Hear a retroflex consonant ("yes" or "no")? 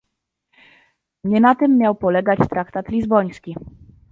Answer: no